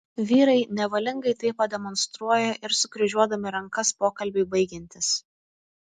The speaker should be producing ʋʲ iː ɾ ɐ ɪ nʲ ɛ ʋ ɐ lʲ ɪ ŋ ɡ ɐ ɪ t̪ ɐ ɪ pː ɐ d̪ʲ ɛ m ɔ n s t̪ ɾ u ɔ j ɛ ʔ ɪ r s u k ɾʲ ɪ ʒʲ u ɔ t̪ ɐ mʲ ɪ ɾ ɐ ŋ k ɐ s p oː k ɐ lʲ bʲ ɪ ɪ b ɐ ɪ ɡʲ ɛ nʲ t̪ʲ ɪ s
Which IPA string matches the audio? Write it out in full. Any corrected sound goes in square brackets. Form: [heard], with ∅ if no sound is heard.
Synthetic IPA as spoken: ʋʲ iː ɾ ɐ ɪ nʲ ɛ ʋ ɐ lʲ ɪ ŋ ɡ ɐ ɪ t̪ ɐ ɪ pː ɐ d̪ʲ ɛ m ɔ n s t̪ ɾ u ɔ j ɛ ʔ ɪ [ɾ] s [ʊ] k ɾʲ ɪ ʒʲ u ɔ [d̪] ɐ mʲ ɪ ɾ ɐ ŋ k ɐ s p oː k ɐ lʲ bʲ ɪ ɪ b ɐ ɪ ɡʲ ɛ nʲ t̪ʲ ɪ s